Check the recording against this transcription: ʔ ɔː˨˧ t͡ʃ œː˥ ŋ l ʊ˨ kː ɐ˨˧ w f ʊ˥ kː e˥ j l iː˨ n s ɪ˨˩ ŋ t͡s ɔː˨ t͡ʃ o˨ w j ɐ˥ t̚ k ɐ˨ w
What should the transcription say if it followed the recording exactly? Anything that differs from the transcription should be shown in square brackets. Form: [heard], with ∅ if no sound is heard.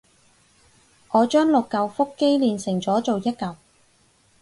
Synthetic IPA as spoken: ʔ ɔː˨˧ t͡ʃ œː˥ ŋ l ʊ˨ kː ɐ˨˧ w f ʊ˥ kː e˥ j l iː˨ n s ɪ˨˩ ŋ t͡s [ɔː˨˥] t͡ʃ o˨ w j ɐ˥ t̚ k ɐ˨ w